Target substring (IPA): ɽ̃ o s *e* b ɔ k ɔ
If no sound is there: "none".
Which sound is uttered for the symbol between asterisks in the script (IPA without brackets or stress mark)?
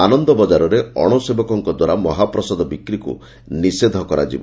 e